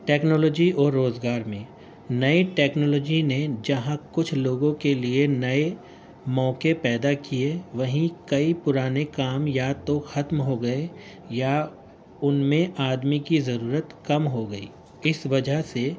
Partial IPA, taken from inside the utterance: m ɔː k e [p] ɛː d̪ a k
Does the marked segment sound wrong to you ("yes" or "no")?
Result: no